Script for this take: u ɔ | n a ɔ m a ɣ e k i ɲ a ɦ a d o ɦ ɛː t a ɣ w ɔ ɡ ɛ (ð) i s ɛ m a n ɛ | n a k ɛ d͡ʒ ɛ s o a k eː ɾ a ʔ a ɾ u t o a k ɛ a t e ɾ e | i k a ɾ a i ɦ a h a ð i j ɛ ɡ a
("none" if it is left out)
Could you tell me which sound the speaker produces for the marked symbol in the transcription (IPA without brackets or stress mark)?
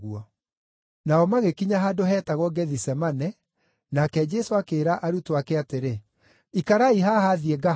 ð